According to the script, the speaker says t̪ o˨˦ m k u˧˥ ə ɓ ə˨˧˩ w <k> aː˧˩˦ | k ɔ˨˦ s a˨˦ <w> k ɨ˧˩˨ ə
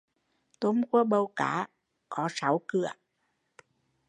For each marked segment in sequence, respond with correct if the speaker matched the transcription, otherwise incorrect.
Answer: correct, correct

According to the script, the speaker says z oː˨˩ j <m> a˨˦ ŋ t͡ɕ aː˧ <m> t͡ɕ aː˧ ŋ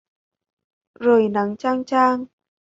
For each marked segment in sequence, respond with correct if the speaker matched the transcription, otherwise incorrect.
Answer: incorrect, incorrect

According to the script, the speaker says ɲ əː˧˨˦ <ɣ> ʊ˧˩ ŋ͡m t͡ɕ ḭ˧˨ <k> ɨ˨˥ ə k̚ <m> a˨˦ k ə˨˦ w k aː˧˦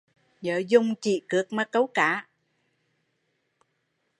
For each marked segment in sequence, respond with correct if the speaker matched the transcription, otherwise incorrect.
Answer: incorrect, correct, correct

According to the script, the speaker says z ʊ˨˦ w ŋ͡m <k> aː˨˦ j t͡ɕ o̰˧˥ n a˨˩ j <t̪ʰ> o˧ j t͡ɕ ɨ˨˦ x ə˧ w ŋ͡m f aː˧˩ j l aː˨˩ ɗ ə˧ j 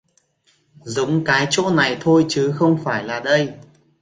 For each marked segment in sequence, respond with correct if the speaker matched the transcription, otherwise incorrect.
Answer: correct, correct

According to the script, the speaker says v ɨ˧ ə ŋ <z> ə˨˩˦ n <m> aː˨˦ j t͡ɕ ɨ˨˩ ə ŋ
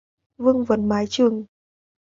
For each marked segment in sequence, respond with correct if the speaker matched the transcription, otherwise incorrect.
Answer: incorrect, correct

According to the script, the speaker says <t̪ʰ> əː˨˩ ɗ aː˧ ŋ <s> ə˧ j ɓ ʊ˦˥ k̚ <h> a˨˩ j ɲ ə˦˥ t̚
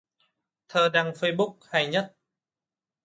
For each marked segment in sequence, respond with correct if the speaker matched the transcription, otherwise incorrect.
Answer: correct, incorrect, correct

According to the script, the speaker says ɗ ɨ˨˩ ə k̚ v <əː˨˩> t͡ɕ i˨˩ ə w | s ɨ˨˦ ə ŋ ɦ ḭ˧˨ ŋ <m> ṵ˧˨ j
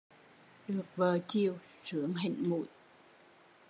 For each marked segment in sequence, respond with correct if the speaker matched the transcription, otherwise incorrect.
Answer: correct, correct

